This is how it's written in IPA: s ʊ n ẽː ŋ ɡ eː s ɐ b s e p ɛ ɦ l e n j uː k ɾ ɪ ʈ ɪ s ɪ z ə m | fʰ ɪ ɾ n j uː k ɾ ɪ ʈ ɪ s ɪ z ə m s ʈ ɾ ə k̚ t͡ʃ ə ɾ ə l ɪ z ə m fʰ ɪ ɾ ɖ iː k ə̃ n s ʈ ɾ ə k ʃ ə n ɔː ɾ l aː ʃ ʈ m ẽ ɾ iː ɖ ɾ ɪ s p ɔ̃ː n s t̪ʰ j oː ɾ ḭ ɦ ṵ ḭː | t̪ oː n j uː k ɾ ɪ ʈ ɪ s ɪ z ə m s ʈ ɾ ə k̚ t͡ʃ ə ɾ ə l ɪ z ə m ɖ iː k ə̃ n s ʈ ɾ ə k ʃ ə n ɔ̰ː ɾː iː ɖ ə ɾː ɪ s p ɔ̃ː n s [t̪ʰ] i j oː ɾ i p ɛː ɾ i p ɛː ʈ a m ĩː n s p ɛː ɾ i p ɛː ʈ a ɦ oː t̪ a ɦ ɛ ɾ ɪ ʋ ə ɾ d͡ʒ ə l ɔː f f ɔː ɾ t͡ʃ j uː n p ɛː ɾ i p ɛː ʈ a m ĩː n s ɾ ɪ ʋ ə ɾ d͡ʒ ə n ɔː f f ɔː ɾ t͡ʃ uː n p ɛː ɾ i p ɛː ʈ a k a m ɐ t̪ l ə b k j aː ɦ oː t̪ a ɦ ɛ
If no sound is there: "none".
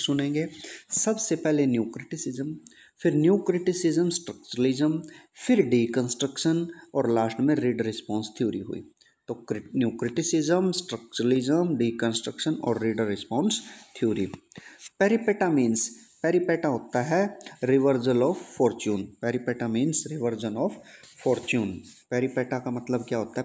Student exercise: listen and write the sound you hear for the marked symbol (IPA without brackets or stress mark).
t̪ʰ